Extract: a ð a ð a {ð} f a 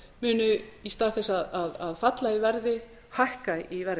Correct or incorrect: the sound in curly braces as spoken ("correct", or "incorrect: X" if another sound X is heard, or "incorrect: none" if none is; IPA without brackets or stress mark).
correct